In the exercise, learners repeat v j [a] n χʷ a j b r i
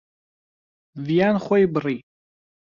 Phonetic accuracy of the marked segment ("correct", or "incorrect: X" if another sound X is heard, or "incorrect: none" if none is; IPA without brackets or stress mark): correct